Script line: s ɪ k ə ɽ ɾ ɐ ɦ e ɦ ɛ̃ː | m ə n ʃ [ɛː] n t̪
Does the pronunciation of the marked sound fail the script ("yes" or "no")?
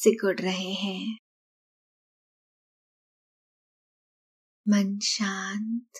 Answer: yes